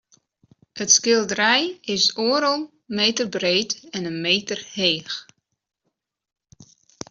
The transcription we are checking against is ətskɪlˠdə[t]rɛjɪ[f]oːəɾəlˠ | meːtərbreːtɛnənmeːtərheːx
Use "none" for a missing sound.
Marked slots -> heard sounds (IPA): none, s

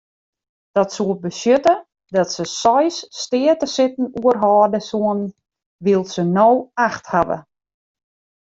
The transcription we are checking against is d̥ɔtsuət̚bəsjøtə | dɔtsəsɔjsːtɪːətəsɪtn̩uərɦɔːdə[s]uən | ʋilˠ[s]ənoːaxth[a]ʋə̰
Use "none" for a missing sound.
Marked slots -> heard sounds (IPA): s, s, a

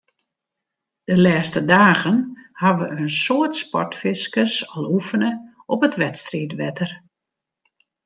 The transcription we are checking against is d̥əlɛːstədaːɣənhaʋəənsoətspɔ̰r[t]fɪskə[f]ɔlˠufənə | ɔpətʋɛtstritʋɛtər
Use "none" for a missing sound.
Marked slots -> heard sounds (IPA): t, s

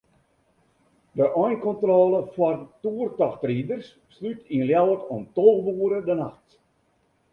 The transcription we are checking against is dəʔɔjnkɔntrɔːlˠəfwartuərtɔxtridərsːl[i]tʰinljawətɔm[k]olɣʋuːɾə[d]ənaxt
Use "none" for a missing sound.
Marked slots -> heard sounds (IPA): y, t, d

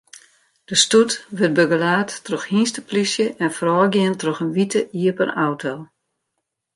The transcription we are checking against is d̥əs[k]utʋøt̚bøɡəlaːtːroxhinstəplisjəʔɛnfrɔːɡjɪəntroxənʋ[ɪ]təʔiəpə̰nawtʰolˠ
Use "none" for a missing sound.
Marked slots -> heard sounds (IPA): t, i

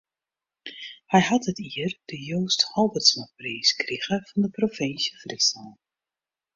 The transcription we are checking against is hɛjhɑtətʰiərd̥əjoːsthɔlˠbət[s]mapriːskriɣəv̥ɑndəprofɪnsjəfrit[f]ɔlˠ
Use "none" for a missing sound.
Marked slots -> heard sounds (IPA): s, s

